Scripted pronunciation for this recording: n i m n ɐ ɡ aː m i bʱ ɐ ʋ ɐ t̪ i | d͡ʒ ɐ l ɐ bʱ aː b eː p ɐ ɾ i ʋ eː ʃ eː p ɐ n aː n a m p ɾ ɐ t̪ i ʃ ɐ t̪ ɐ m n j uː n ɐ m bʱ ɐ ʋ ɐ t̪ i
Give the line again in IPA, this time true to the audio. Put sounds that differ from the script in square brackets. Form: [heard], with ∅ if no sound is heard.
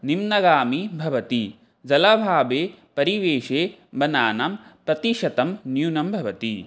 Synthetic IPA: n i m n ɐ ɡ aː m i bʱ ɐ ʋ ɐ t̪ i | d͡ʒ ɐ l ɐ bʱ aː b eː p ɐ ɾ i ʋ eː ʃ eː [b] ɐ n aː n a m p ɾ ɐ t̪ i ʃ ɐ t̪ ɐ m n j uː n ɐ m bʱ ɐ ʋ ɐ t̪ i

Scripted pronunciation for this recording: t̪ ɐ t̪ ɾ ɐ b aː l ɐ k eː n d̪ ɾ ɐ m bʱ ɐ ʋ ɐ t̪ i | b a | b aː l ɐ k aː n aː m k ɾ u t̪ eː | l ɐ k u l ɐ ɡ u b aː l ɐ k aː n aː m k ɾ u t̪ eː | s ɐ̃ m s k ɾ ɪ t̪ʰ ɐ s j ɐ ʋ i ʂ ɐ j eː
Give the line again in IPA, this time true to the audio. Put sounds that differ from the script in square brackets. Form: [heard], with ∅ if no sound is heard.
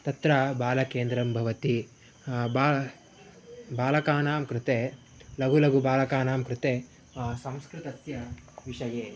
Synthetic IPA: t̪ ɐ t̪ ɾ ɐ b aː l ɐ k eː n d̪ ɾ ɐ m bʱ ɐ ʋ ɐ t̪ i | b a | b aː l ɐ k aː n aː m k ɾ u t̪ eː | l ɐ [ɡ] u l ɐ ɡ u b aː l ɐ k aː n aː m k ɾ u t̪ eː | s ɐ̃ m s k ɾ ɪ [t̪] ɐ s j ɐ ʋ i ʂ ɐ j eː

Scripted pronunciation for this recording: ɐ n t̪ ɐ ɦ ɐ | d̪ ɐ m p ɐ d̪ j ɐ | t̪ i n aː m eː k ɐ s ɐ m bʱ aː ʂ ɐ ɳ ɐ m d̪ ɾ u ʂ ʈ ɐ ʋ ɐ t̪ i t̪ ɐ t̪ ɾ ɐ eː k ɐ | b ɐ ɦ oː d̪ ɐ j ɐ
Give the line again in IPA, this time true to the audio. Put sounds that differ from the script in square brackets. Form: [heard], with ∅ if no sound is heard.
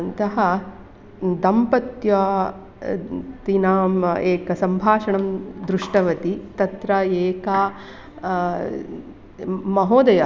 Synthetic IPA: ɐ n t̪ ɐ ɦ ɐ | d̪ ɐ m p ɐ [t̪] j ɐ | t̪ i n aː m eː k ɐ s ɐ m bʱ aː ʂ ɐ ɳ ɐ m d̪ ɾ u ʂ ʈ ɐ ʋ ɐ t̪ i t̪ ɐ t̪ ɾ ɐ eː k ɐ | [m] ɐ ɦ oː d̪ ɐ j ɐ

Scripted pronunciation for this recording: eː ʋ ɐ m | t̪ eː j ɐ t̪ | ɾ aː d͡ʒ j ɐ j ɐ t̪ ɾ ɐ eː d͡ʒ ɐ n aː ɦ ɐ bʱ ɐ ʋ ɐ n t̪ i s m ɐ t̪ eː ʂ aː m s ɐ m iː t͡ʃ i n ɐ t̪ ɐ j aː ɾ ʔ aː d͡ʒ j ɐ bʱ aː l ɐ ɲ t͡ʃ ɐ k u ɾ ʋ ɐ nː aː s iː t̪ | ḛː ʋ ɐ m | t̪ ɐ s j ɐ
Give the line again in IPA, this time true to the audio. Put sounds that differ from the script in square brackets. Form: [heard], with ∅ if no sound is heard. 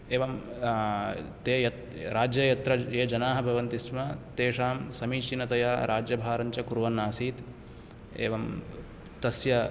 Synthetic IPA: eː ʋ ɐ m | t̪ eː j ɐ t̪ | ɾ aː d͡ʒ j ɐ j ɐ t̪ ɾ ɐ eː d͡ʒ ɐ n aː ɦ ɐ bʱ ɐ ʋ ɐ n t̪ i s m ɐ t̪ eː ʂ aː m s ɐ m iː t͡ʃ i n ɐ t̪ ɐ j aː ɾ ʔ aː d͡ʒ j ɐ bʱ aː [ɾ] ɐ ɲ t͡ʃ ɐ k u ɾ ʋ ɐ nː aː s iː t̪ | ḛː ʋ ɐ m | t̪ ɐ s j ɐ

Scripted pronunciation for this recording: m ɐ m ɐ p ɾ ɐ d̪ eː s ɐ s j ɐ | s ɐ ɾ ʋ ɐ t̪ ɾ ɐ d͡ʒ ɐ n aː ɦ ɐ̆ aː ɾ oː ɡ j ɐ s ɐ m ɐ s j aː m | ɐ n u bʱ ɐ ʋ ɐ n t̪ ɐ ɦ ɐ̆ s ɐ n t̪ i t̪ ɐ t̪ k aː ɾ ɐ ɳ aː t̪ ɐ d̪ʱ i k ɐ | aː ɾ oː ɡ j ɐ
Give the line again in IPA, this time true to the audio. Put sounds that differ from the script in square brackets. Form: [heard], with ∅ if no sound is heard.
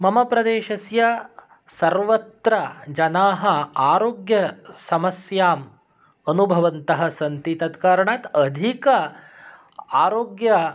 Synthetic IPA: m ɐ m ɐ p ɾ ɐ d̪ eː [ʃ] ɐ s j ɐ | s ɐ ɾ ʋ ɐ t̪ ɾ ɐ d͡ʒ ɐ n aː ɦ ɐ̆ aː ɾ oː ɡ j ɐ s ɐ m ɐ s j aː m | ɐ n u bʱ ɐ ʋ ɐ n t̪ ɐ ɦ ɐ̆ s ɐ n t̪ i t̪ ɐ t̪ k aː ɾ ɐ ɳ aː t̪ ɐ d̪ʱ i k ɐ | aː ɾ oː ɡ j ɐ

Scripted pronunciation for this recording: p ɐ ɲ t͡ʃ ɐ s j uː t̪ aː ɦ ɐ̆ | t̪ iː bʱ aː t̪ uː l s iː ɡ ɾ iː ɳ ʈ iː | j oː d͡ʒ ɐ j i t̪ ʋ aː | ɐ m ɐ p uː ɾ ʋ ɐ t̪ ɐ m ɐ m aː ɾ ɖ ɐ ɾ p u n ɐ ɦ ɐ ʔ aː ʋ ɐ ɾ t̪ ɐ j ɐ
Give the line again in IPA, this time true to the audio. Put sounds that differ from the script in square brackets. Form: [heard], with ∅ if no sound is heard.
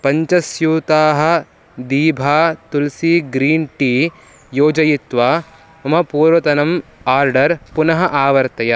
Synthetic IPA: p ɐ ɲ t͡ʃ ɐ s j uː t̪ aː ɦ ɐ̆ | [d̪] iː bʱ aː t̪ [u] l s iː ɡ ɾ iː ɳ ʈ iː | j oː d͡ʒ ɐ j i t̪ ʋ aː | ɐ m ɐ p uː ɾ ʋ ɐ t̪ ɐ [n] ɐ m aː ɾ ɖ ɐ ɾ p u n ɐ ɦ ɐ ʔ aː ʋ ɐ ɾ t̪ ɐ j ɐ

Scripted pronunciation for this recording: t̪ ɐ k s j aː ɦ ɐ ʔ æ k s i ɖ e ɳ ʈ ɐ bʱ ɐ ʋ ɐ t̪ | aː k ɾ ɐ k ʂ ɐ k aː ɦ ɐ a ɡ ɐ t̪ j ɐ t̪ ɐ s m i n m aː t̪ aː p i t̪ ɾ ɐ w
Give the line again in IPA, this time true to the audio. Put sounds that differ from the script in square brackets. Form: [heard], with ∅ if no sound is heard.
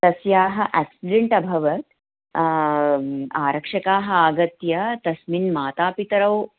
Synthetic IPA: t̪ ɐ [∅] s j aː ɦ ɐ ʔ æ k s i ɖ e ɳ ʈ ɐ bʱ ɐ ʋ ɐ t̪ | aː [∅] ɾ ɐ k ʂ ɐ k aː ɦ ɐ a ɡ ɐ t̪ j ɐ t̪ ɐ s m i n m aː t̪ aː p i t̪ ɾ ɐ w

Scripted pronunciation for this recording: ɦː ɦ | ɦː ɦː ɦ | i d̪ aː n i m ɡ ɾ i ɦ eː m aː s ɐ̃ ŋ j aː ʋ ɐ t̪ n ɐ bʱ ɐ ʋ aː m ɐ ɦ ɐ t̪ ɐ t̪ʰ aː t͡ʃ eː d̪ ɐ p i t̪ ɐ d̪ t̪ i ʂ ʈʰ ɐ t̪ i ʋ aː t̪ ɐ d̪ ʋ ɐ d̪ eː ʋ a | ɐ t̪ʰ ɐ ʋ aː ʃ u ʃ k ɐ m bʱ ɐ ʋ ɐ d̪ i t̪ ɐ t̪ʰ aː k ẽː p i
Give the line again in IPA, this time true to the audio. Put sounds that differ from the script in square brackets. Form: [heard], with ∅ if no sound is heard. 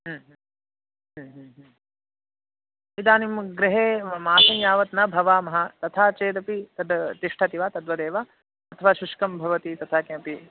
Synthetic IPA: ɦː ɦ | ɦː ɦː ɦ | i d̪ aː n i m ɡ ɾ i ɦ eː m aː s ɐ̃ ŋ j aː ʋ ɐ t̪ n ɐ bʱ ɐ ʋ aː m ɐ ɦ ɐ t̪ ɐ t̪ʰ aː t͡ʃ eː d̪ ɐ p i t̪ ɐ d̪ t̪ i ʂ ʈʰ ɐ t̪ i ʋ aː t̪ ɐ d̪ ʋ ɐ d̪ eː ʋ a | ɐ t̪ʰ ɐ ʋ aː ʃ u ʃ k ɐ m bʱ ɐ ʋ ɐ [t̪] i t̪ ɐ t̪ʰ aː k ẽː p i

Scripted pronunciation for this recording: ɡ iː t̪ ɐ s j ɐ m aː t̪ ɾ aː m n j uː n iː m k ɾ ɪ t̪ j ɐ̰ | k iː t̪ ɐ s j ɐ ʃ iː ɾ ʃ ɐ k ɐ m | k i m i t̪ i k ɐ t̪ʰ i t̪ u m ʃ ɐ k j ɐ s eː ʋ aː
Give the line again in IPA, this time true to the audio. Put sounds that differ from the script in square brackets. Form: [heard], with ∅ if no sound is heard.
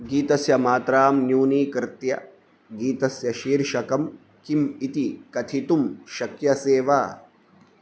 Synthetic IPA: ɡ iː t̪ ɐ s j ɐ m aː t̪ ɾ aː m n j uː n iː [∅] k ɾ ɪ t̪ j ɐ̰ | [ɡ] iː t̪ ɐ s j ɐ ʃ iː ɾ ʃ ɐ k ɐ m | k i m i t̪ i k ɐ t̪ʰ i t̪ u m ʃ ɐ k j ɐ s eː ʋ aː

